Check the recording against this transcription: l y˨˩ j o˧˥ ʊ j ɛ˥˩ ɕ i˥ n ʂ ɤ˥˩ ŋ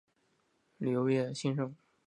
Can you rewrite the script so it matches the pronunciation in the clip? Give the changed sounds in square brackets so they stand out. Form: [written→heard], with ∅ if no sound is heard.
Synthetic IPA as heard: l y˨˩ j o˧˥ ʊ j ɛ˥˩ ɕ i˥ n ʂ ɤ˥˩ ŋ